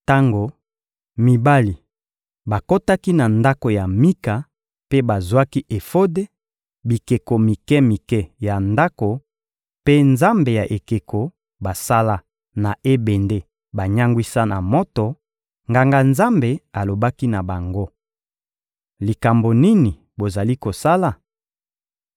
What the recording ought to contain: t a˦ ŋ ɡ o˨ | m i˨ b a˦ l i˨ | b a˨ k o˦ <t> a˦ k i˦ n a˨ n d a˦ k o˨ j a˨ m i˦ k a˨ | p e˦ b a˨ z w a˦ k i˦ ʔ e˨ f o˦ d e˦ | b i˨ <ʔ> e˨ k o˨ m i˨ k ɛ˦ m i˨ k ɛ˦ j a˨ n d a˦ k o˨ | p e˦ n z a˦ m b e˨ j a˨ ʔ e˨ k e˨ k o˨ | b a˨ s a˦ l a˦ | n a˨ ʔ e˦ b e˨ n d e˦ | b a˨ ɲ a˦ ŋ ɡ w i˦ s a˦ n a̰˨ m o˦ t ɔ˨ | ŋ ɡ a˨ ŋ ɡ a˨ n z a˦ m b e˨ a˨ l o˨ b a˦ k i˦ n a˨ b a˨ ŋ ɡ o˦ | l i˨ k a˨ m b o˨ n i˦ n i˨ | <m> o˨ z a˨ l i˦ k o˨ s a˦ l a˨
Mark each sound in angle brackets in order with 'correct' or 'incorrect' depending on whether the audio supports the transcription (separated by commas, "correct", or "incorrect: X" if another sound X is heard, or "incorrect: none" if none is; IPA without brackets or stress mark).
correct, incorrect: k, incorrect: b